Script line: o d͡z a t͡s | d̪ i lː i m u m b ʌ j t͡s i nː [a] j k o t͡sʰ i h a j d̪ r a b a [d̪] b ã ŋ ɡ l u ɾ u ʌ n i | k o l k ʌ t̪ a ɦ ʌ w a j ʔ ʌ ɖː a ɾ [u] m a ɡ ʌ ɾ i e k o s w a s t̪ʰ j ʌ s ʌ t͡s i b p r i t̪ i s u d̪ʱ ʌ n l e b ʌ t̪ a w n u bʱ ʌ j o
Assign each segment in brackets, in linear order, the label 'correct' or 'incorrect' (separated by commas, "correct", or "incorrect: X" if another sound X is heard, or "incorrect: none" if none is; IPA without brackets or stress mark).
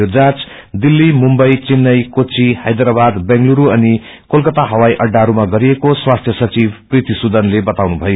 incorrect: ʌ, correct, correct